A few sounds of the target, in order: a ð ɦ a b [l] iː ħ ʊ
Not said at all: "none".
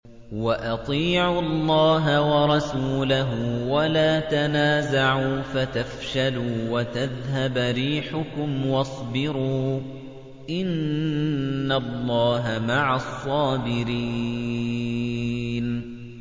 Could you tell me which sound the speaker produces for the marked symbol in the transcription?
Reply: ɾ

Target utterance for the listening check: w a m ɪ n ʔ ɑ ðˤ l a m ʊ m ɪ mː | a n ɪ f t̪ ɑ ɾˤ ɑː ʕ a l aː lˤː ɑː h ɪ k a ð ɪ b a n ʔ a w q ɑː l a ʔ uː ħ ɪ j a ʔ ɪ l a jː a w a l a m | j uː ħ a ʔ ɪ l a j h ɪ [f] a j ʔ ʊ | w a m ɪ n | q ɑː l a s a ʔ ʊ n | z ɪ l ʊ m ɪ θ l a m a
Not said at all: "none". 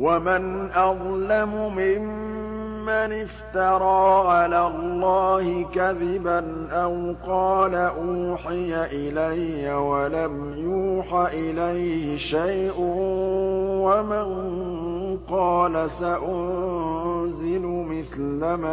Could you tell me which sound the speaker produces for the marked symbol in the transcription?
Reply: ʃ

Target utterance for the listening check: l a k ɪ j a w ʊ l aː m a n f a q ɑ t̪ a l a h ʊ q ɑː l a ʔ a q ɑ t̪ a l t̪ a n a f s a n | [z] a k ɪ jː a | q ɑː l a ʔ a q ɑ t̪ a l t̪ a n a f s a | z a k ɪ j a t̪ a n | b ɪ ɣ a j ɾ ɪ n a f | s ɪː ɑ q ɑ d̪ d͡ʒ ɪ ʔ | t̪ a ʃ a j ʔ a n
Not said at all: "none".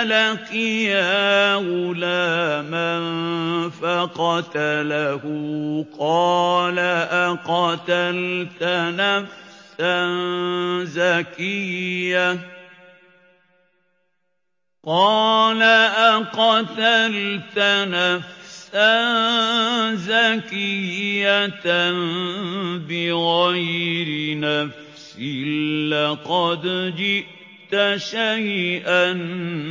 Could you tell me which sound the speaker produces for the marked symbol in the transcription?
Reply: z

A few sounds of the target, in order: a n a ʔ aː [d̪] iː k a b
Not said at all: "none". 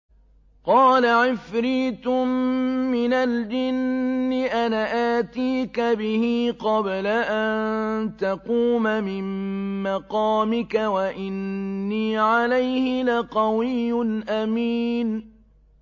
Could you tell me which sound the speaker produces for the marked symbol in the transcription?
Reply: t̪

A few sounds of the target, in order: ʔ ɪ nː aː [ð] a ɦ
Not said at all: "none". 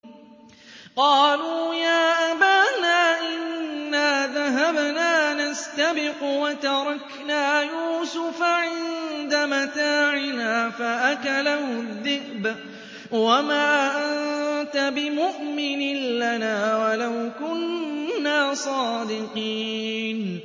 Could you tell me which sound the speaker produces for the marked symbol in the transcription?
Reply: ð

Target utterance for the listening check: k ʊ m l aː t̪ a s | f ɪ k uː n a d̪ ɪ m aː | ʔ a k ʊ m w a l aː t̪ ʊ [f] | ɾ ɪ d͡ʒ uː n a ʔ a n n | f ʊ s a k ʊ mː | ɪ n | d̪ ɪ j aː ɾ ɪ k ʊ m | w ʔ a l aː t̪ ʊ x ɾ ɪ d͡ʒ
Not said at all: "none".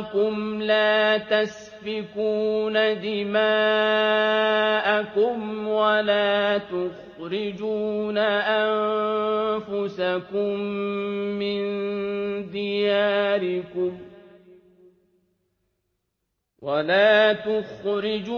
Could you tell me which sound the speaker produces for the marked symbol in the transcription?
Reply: x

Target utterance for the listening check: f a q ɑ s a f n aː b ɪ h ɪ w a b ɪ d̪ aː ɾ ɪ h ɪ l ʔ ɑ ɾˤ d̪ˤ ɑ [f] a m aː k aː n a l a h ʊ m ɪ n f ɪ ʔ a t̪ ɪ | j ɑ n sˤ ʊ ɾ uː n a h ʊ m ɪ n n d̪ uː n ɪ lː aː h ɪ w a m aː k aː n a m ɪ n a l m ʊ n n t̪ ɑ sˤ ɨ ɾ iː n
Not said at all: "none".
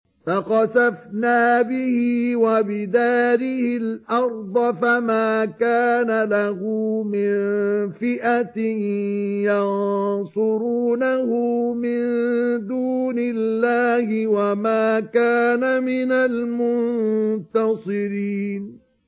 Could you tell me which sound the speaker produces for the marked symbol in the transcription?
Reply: f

